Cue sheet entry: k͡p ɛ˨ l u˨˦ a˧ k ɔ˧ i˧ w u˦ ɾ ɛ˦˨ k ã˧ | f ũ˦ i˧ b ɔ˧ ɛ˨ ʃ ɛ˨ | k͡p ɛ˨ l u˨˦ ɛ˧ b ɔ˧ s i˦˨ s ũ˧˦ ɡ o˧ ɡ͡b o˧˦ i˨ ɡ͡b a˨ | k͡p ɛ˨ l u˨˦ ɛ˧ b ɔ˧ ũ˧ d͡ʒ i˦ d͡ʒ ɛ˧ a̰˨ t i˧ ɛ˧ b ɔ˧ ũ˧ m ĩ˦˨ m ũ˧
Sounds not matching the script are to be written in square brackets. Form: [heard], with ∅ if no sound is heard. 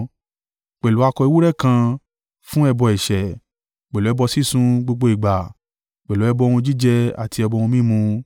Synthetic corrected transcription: k͡p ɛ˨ l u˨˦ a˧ k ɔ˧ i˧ w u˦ ɾ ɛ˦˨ k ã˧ | f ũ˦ [ɛ˧] b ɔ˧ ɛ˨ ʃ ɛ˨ | k͡p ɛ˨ l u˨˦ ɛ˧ b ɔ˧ s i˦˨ s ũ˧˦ [ɡ͡b] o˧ ɡ͡b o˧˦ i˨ ɡ͡b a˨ | k͡p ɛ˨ l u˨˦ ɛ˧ b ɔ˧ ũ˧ d͡ʒ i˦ d͡ʒ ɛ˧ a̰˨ t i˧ ɛ˧ b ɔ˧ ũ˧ m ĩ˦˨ m ũ˧